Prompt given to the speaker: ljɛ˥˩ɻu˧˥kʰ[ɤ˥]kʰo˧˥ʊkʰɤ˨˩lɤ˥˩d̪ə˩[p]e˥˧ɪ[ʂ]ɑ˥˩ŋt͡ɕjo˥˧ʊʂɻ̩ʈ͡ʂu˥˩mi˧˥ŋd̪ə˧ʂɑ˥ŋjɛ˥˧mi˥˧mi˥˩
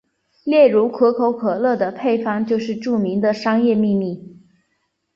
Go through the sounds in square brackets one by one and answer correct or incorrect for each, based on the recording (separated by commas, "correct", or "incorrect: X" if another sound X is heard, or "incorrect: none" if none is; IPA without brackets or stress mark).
incorrect: ɤ˧˥, incorrect: pʰ, incorrect: f